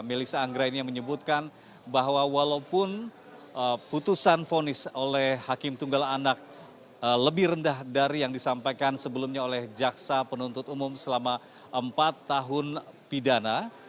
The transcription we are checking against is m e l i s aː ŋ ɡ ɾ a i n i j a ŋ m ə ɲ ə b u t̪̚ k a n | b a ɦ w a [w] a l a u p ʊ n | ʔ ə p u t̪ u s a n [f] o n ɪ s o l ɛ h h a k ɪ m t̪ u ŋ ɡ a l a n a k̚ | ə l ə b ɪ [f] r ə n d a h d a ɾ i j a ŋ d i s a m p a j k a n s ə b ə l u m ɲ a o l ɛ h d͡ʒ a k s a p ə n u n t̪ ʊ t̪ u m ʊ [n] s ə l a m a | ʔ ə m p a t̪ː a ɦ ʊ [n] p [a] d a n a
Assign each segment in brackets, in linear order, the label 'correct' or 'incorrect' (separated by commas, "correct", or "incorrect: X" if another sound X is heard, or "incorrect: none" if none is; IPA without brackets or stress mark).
correct, correct, incorrect: h, incorrect: m, correct, incorrect: i